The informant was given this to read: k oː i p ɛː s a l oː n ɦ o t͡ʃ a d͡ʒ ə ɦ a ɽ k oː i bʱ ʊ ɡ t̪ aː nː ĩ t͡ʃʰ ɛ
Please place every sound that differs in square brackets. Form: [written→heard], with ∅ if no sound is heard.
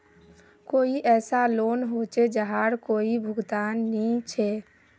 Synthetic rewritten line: k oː i [p→ʔ] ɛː s a l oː n ɦ o t͡ʃ [a→e] d͡ʒ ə ɦ a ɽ k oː i bʱ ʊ ɡ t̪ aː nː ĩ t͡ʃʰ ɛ